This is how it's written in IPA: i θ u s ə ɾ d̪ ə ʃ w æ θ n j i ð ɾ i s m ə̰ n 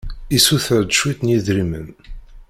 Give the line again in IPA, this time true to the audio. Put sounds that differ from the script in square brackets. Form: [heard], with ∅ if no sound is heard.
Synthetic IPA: i [s] u [θ] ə ɾ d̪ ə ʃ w [i] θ n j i ð ɾ i [∅] m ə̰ n